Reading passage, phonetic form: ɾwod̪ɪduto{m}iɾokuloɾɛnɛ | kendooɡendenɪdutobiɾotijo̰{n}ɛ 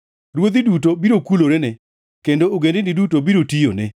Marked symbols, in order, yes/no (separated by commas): no, yes